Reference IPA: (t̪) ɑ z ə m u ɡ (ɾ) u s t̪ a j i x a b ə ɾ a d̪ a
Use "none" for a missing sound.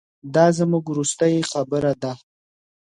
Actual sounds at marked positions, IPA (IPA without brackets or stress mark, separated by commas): d̪, ɾ